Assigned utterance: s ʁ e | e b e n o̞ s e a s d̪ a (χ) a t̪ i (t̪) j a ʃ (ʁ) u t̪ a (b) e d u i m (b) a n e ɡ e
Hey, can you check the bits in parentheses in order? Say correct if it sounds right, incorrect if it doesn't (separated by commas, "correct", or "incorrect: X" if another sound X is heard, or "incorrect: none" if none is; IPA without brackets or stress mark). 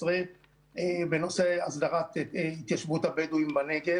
incorrect: ʁ, correct, incorrect: v, correct, correct